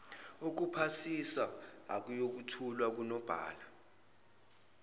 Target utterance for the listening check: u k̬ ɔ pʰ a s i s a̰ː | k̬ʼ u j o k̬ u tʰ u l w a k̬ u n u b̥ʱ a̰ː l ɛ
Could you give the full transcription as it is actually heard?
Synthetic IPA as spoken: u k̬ u pʰ a s i s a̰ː | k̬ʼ u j o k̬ u tʰ u l w a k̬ u n ɔ b̥ʱ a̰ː l a